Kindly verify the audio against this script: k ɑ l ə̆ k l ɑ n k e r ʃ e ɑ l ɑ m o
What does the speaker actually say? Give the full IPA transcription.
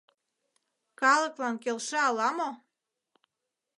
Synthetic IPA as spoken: k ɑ l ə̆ k l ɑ n k e l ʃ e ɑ l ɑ m o